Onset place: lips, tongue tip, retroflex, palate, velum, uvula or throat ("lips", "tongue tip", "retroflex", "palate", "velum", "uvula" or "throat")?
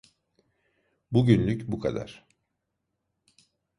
lips